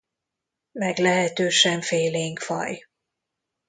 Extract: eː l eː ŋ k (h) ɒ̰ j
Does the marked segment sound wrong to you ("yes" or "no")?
yes